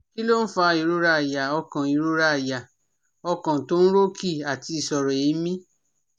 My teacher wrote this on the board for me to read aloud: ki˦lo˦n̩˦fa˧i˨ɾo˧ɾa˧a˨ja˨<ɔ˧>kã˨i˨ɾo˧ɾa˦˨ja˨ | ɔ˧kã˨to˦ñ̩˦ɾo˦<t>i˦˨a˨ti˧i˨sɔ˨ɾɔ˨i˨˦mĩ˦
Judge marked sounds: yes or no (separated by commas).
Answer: yes, no